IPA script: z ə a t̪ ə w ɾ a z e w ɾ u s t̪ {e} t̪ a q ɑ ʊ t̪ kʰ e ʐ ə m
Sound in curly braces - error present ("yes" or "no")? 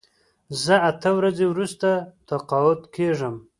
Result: yes